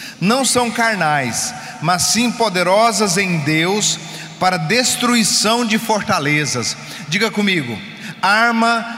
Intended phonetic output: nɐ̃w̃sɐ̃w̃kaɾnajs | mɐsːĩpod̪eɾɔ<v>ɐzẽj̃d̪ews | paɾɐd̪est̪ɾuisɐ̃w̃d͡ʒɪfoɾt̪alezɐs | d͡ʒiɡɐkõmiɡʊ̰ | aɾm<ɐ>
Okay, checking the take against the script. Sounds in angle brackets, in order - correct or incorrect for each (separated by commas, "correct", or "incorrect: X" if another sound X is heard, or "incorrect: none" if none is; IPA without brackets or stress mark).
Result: incorrect: z, correct